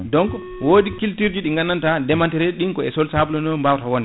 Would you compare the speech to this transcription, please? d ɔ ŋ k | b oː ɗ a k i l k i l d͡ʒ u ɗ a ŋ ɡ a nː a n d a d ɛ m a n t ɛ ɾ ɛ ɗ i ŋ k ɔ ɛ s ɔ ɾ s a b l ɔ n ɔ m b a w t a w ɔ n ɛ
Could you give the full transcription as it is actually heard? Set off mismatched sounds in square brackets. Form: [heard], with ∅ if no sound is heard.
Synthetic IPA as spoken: d ɔ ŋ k | [w] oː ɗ [i] k i l [t] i [ɾ] d͡ʒ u ɗ [i] ŋ ɡ a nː a n [t] a d ɛ m a n t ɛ ɾ ɛ ɗ i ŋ k ɔ ɛ s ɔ [l] s a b l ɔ n ɔ m b a w t a w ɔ n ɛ